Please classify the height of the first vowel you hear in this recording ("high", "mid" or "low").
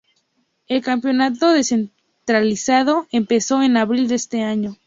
mid